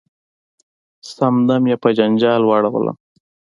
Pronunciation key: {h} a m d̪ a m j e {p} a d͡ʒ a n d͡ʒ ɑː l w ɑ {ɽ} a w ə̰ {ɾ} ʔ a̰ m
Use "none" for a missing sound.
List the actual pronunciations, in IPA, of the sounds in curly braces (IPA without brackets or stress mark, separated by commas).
s, p, ɽ, l